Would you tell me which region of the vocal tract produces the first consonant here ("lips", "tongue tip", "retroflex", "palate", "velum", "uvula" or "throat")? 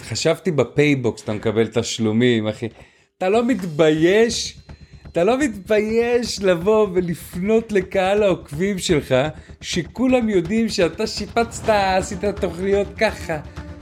uvula